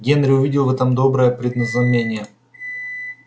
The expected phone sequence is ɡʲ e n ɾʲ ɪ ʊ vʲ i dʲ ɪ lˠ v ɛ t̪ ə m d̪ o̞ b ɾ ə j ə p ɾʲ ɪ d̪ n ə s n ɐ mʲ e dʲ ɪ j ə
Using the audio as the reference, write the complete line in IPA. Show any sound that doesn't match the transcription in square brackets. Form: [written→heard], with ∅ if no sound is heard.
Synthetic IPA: ɡʲ e n ɾʲ ɪ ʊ vʲ i dʲ ɪ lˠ v ɛ t̪ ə m d̪ o̞ b ɾ ə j ə p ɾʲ ɪ d̪ n ə [s→z] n ɐ mʲ e [dʲ→nʲ] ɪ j ə